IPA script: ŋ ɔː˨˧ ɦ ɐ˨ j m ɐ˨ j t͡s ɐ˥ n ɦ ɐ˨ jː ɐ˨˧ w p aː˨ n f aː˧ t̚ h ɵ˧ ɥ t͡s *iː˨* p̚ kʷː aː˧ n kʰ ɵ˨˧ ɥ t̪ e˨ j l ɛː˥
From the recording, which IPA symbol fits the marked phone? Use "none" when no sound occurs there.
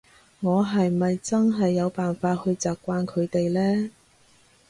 aː˨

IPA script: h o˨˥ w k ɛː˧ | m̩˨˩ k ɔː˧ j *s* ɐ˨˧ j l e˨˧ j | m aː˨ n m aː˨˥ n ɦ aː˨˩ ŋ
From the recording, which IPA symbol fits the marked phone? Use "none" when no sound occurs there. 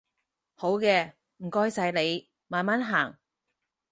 s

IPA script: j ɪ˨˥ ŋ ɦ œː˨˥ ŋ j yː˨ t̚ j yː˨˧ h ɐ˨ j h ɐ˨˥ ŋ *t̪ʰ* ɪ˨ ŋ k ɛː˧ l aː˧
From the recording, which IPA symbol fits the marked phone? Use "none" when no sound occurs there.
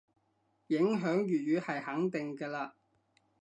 t̪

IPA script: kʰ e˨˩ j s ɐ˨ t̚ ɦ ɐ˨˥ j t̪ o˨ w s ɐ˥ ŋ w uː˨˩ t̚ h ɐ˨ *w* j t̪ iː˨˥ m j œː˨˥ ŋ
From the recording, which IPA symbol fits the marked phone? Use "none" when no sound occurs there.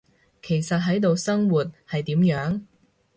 none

